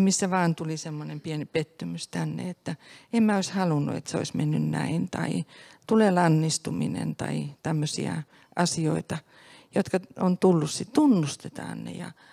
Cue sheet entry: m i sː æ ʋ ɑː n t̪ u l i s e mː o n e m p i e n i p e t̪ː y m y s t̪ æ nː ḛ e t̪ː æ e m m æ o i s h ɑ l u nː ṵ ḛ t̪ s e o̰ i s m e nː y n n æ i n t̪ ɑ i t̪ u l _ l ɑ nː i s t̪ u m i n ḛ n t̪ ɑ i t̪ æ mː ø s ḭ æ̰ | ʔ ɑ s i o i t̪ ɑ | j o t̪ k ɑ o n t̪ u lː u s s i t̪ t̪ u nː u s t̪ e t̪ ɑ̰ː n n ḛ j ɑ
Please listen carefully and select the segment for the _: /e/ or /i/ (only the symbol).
e